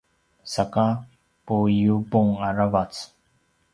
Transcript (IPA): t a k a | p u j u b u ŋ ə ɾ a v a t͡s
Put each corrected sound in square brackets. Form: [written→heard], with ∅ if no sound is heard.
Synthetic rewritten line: [t→s] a k a | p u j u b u ŋ [ə→a] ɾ a v a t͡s